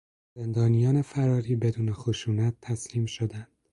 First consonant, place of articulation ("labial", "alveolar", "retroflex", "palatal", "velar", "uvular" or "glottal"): alveolar